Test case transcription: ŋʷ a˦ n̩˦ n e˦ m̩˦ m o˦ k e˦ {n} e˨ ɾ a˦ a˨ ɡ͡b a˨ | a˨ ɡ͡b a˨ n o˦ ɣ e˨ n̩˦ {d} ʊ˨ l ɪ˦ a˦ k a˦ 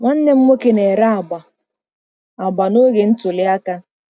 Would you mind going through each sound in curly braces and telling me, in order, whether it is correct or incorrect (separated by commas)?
correct, incorrect